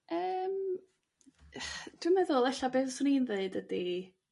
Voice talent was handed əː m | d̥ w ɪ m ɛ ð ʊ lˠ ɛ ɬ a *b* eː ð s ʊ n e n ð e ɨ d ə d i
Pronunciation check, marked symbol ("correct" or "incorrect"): correct